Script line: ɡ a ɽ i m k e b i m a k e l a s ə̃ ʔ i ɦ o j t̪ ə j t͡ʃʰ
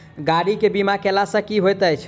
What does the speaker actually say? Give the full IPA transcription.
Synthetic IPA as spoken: ɡ a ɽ i k e b i m a k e l a s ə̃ k i ɦ o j t̪ ə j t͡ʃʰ

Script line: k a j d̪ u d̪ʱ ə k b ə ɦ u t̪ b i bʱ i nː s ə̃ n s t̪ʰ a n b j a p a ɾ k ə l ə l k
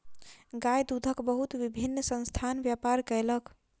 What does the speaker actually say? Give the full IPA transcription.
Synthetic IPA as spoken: ɡ a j d̪ u d̪ʱ ə k b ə ɦ u t̪ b i bʱ i nː s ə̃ n s t̪ʰ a n b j a p a ɾ k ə l ə k

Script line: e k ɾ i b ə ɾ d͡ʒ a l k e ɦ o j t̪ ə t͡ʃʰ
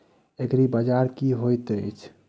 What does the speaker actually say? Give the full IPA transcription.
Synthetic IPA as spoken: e k ɾ i b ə d͡ʒ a ɾ k i ɦ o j t̪ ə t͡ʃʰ

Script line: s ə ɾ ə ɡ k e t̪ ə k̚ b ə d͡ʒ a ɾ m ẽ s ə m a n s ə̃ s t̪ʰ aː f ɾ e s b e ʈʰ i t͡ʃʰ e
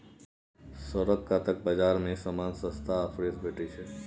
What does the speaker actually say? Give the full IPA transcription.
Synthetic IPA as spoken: s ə ɾ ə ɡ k a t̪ ə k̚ b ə d͡ʒ a ɾ m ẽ s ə m a n s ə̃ s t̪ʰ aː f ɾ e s b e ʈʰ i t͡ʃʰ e

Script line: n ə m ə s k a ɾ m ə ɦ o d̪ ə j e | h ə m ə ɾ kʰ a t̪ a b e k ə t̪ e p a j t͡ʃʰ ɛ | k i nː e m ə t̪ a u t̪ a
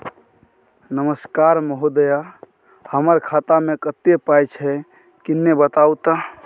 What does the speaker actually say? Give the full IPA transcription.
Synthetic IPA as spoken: n ə m ə s k a ɾ m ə ɦ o d̪ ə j a | h ə m ə ɾ kʰ a t̪ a m e k ə t̪ e p a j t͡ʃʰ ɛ | k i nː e b ə t̪ a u t̪ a

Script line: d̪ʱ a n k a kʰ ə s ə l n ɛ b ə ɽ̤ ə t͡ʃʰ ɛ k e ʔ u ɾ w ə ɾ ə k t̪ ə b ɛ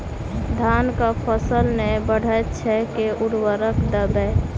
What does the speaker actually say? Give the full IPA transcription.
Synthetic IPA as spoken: d̪ʱ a n k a pʰ ə s ə l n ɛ b ə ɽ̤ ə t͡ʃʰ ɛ k e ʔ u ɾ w ə ɾ ə k d̪ ə b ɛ

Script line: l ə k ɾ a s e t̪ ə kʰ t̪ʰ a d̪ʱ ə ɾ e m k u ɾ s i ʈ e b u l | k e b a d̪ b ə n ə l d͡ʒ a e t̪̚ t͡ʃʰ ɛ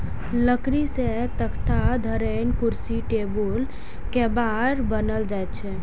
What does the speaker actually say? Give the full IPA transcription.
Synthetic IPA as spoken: l ə k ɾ i s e t̪ ə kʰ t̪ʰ a d̪ʱ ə ɾ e n k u ɾ s i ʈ e b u l | k e b a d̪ b ə n ə l d͡ʒ a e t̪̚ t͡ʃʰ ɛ

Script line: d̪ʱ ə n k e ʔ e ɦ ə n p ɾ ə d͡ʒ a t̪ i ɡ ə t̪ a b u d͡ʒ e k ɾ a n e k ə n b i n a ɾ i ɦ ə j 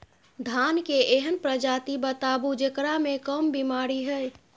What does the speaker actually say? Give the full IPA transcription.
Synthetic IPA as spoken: d̪ʱ a n k e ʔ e ɦ ə n p ɾ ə d͡ʒ a t̪ i b ə t̪ a b u d͡ʒ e k ɾ a m e k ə m b i m a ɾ i ɦ ə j

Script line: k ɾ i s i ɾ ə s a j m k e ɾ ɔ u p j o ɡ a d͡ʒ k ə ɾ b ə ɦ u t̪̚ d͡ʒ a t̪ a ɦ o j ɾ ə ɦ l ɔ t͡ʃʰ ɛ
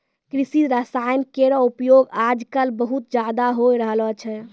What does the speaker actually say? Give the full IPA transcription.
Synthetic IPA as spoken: k ɾ i s i ɾ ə s a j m k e ɾ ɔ u p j o ɡ a d͡ʒ k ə l b ə ɦ u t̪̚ d͡ʒ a d̪ a ɦ o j ɾ ə ɦ l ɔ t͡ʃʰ ɛ

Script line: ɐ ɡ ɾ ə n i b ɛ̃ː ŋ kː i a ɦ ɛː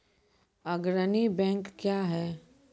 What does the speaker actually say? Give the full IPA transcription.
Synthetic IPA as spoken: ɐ ɡ ɾ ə n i b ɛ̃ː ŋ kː j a ɦ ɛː

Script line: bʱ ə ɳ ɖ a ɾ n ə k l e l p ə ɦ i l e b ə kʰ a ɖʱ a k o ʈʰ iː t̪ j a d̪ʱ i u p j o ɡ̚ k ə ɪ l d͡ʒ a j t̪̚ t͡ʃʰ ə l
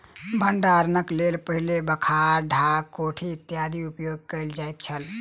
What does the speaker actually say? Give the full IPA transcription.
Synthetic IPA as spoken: bʱ ə ɳ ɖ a ɾ n ə k l e l p ə ɦ i l e b ə kʰ a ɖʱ a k o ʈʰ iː t̪ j a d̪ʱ i u p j o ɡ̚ k ə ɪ l d͡ʒ a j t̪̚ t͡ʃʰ ə l

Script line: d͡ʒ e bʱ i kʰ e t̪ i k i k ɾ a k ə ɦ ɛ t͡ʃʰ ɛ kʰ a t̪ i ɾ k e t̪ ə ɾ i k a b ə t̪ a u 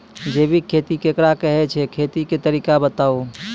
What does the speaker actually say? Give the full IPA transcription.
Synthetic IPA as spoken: d͡ʒ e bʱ i kʰ e t̪ i k e k ɾ a k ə ɦ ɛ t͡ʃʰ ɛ kʰ e t̪ i k e t̪ ə ɾ i k a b ə t̪ a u

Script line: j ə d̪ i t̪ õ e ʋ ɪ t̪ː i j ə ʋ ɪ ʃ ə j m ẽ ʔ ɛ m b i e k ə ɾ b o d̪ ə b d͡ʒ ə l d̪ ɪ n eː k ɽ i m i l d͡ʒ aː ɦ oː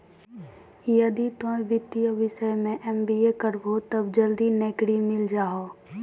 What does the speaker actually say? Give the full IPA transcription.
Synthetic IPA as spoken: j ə d̪ i t̪ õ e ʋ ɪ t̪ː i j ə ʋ ɪ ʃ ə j m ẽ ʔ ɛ m b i e k ə ɾ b o t̪ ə b d͡ʒ ə l d̪ i n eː k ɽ i m ɪ l d͡ʒ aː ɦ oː

